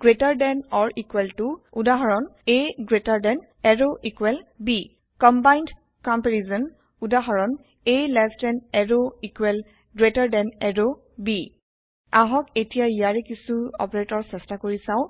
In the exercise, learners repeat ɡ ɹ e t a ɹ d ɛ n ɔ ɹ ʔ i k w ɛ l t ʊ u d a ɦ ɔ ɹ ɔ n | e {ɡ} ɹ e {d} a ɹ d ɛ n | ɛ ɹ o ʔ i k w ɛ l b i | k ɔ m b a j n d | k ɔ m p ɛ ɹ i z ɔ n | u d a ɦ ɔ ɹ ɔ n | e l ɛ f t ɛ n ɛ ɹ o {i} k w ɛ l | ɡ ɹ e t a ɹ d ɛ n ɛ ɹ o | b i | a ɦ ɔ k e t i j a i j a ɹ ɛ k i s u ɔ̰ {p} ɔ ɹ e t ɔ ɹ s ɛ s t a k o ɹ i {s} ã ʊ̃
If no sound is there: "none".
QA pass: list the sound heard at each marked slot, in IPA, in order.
ɡ, t, i, p, s

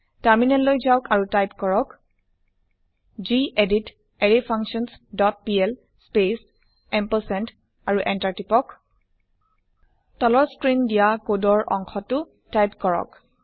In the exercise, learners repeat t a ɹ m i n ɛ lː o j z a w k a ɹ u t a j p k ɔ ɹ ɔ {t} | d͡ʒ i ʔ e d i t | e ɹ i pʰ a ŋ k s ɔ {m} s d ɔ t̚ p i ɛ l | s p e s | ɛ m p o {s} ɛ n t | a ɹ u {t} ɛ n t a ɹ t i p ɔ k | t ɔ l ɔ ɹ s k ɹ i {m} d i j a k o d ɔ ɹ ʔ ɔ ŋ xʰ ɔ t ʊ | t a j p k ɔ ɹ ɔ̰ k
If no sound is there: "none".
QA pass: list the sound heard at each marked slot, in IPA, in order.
k, n, s, ʔ, n

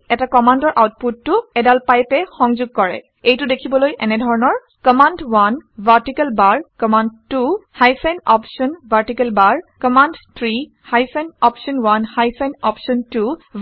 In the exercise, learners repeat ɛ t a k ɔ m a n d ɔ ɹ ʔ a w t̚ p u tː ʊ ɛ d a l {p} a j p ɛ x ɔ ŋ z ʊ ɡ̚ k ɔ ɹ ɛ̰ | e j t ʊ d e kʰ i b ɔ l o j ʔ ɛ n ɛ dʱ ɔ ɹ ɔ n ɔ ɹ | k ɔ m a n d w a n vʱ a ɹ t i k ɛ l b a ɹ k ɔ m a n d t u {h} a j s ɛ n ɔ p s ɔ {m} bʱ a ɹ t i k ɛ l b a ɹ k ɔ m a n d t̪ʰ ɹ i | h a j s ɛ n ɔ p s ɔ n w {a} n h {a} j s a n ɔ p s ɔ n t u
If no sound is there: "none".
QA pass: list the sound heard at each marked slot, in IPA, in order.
p, h, n, a, a

